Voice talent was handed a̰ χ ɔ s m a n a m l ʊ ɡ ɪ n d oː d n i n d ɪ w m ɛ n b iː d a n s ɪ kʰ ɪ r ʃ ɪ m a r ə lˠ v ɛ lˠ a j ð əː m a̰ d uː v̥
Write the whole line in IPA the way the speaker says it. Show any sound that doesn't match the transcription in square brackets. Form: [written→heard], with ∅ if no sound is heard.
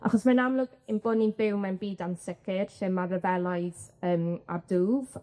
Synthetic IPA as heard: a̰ χ ɔ s m a n a m l ʊ ɡ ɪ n [d→b] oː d n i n [d→b] ɪ w m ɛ n b iː d a n s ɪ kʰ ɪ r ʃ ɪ m a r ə [lˠ→∅] v ɛ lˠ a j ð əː m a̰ d uː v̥